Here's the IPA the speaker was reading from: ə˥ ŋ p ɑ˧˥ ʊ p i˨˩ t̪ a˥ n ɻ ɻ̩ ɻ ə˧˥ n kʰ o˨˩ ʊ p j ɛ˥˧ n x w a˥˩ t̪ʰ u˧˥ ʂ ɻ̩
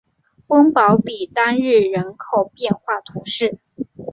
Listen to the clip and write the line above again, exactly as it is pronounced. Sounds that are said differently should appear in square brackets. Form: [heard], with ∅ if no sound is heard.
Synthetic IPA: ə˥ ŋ p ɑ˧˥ ʊ p i˨˩ t̪ a˥ n ɻ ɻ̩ ɻ ə˧˥ n kʰ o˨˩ ʊ p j ɛ˥˧ n x w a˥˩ t̪ʰ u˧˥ ʂ ɻ̩